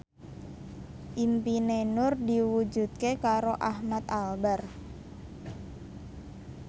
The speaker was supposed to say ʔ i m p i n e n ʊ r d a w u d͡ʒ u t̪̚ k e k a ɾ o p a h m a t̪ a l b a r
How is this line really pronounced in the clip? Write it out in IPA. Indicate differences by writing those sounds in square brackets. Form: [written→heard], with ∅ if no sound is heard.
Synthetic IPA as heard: ʔ i m p i n e n ʊ r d [a→i] w u d͡ʒ u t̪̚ k e k a ɾ o [p→ʔ] a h m a t̪ a l b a r